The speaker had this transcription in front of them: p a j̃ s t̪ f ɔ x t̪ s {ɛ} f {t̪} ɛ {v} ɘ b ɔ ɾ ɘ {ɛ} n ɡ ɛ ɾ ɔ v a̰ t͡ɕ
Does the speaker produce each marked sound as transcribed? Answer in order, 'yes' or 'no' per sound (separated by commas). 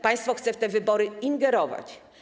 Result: yes, yes, yes, no